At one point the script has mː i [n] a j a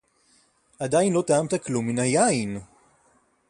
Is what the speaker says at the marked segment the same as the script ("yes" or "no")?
yes